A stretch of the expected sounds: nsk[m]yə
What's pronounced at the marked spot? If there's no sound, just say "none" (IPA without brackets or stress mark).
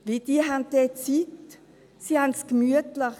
m